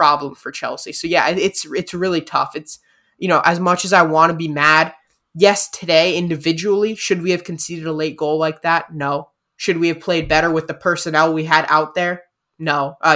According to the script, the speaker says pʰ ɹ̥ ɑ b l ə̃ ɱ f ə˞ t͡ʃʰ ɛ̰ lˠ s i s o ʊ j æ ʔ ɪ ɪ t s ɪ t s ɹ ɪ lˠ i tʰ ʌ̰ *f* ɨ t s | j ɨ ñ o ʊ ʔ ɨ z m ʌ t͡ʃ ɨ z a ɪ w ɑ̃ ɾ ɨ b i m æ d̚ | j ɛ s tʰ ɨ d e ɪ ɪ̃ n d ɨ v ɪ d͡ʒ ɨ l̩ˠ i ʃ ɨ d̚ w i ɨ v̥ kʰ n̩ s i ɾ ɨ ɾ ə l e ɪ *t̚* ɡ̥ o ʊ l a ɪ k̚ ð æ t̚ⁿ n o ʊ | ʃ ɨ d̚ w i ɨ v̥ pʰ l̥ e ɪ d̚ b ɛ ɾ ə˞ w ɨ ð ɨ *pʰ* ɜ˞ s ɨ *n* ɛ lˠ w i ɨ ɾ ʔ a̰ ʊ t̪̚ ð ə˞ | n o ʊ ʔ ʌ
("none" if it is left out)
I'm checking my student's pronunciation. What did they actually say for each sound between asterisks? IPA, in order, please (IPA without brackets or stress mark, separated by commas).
f, t̚, pʰ, n